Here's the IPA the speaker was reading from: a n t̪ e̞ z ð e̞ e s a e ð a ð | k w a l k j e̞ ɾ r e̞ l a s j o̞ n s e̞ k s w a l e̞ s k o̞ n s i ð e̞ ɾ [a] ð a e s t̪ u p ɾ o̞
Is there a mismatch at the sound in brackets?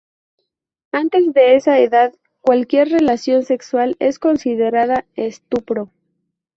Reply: no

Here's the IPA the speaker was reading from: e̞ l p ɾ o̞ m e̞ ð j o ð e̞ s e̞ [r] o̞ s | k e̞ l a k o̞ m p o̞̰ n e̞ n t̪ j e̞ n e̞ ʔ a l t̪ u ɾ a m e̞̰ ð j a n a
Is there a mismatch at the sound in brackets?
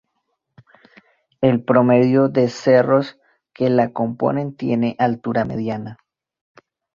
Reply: no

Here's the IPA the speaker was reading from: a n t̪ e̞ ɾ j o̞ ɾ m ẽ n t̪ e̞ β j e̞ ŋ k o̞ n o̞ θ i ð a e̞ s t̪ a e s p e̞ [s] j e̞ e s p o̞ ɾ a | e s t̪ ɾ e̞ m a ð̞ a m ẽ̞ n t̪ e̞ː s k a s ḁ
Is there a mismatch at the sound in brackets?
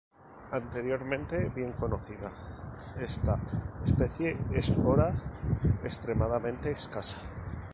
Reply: yes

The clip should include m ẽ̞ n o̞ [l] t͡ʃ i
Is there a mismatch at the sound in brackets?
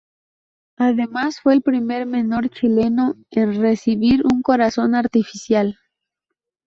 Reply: yes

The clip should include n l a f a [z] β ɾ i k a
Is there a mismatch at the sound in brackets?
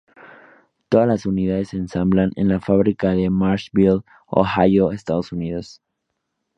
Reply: yes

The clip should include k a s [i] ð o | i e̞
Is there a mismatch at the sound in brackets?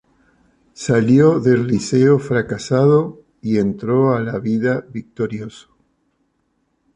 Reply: yes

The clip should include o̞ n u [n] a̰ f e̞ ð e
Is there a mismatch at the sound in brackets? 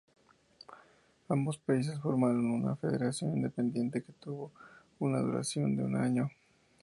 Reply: no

